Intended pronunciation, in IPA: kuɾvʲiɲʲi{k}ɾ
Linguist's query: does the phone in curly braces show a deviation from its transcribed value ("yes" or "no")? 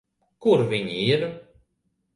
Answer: yes